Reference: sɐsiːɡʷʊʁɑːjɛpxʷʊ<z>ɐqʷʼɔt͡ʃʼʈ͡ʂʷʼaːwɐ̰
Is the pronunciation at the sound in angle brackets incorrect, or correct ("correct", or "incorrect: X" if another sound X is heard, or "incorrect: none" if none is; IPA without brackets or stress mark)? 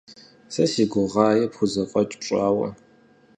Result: correct